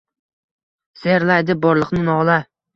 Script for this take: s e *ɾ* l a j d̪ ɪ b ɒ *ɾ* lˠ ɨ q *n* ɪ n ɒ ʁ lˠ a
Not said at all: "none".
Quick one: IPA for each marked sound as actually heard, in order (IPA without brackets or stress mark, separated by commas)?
ɾ, ɾ, n